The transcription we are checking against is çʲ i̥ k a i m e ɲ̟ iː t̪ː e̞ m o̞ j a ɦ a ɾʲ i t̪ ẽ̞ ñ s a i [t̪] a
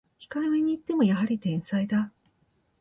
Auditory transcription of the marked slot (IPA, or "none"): d̪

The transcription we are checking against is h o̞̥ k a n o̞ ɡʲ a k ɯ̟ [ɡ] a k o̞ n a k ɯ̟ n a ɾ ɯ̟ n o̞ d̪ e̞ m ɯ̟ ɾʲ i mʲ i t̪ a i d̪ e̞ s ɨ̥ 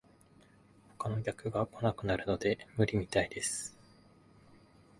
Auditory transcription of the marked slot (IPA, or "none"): ɡ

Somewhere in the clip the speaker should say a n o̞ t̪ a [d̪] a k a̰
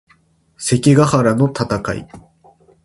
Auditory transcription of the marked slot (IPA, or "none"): t̪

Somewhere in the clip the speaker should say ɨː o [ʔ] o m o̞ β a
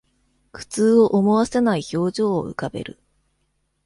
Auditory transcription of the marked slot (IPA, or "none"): ʔ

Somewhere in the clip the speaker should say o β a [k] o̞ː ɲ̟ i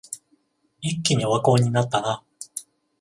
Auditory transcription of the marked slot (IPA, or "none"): k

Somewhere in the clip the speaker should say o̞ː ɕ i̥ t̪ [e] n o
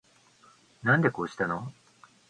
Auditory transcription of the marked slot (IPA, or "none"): a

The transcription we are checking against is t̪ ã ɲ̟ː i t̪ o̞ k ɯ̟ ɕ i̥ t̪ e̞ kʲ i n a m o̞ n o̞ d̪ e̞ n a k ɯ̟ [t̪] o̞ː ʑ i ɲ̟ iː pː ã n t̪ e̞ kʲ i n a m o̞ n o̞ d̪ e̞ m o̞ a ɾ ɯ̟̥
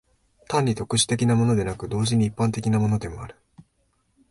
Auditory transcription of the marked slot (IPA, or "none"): d̪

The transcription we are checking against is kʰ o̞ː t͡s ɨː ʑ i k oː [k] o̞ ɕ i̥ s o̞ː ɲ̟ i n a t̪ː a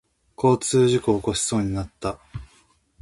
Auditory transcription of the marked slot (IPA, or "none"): k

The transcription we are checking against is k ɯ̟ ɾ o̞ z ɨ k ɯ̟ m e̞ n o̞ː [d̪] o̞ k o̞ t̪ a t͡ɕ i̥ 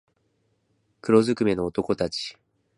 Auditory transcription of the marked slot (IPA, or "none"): t̪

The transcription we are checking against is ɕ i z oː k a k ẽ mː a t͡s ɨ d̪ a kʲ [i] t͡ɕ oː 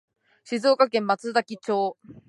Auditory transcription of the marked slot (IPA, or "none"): i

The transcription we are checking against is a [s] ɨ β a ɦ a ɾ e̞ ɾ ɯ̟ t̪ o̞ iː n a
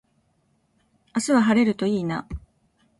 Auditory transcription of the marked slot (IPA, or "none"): s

